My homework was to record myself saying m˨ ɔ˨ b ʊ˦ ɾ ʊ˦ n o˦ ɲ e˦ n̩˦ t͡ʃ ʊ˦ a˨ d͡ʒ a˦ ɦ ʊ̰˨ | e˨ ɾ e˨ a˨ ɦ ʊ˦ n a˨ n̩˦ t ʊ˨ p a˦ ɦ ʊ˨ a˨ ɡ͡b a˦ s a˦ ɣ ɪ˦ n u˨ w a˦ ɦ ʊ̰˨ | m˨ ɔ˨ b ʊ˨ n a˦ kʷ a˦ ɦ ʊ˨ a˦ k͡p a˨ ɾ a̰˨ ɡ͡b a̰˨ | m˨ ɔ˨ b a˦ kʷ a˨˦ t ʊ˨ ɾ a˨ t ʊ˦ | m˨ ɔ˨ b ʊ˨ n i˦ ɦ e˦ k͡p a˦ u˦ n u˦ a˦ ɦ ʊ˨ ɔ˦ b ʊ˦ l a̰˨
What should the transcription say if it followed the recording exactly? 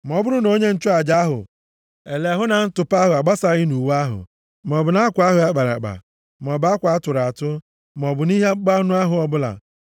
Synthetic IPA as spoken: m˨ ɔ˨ b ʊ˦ ɾ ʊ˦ n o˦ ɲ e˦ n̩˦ t͡ʃ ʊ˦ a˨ d͡ʒ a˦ ɦ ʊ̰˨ | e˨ l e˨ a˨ ɦ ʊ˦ n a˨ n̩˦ t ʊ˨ p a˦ ɦ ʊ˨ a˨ ɡ͡b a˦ s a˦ ɣ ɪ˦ n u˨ w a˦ ɦ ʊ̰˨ | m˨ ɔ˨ b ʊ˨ n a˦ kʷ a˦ ɦ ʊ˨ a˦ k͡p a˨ ɾ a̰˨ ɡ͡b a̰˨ | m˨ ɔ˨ b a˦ kʷ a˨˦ t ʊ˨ ɾ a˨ t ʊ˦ | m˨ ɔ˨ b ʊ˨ n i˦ ɦ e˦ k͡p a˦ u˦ n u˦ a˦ ɦ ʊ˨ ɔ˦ b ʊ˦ l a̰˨